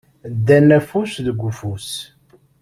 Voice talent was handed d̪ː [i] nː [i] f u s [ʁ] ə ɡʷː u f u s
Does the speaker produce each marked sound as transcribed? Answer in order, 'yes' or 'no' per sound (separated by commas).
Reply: no, no, no